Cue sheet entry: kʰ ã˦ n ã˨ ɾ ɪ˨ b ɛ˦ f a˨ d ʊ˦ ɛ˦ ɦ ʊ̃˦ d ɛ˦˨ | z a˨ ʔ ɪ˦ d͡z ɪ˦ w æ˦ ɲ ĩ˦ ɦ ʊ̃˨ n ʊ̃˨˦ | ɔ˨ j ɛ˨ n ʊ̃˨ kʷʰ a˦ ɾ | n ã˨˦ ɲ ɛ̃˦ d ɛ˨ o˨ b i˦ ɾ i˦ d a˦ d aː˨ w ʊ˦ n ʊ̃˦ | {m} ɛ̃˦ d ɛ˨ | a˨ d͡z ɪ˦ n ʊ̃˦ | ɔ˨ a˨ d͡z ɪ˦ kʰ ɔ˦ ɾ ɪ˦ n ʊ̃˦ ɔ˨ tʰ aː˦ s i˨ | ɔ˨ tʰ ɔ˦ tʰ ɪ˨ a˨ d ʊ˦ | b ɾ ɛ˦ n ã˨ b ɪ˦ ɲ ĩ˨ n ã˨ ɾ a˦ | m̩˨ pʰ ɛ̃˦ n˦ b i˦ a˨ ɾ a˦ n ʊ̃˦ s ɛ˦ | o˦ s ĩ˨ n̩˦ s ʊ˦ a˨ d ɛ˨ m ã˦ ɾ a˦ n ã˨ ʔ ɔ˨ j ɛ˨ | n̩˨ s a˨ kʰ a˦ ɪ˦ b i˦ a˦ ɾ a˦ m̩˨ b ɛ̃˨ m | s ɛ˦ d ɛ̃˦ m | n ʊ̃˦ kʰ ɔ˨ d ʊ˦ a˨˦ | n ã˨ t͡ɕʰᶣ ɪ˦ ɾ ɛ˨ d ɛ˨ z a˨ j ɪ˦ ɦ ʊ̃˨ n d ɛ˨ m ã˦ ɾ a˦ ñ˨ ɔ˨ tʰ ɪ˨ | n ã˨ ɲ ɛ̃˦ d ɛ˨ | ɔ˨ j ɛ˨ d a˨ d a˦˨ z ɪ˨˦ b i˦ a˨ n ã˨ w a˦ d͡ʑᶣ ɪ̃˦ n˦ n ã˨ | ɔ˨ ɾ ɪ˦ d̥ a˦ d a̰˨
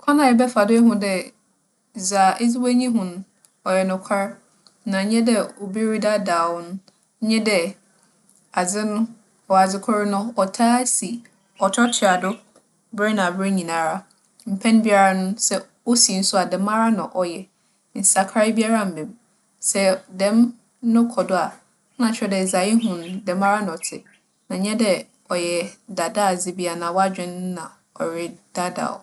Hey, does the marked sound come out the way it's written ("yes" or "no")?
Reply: no